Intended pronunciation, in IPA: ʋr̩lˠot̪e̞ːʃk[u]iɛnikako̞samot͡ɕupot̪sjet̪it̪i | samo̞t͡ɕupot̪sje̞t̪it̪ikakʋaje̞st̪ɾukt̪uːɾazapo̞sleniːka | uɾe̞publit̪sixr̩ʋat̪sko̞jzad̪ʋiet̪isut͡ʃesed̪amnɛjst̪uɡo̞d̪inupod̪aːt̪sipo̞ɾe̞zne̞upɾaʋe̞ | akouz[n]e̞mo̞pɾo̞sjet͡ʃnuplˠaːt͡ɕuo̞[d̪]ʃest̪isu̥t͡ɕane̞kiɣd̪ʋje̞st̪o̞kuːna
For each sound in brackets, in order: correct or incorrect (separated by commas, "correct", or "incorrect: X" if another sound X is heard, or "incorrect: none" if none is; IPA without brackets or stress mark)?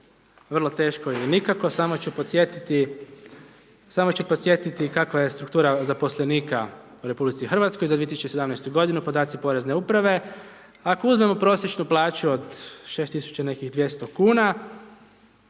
incorrect: o, incorrect: m, correct